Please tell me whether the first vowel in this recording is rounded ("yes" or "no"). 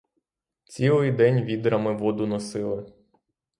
no